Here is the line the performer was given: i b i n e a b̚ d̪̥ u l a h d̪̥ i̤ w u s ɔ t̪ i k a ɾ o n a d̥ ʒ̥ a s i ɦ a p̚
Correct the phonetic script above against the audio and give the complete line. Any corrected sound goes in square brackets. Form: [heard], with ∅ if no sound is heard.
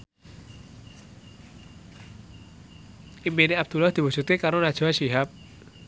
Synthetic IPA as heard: i [m] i n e a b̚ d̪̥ u l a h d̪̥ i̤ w u s [u] t̪ i k a ɾ o n a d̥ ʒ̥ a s i ɦ a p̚